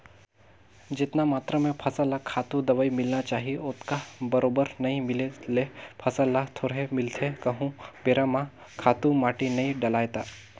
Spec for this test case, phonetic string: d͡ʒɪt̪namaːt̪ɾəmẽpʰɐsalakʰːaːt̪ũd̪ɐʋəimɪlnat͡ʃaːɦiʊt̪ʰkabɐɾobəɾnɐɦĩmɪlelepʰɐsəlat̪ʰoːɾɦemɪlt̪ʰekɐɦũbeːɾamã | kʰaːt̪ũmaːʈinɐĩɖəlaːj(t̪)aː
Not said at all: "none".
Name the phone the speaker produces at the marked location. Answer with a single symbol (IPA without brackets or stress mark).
t̪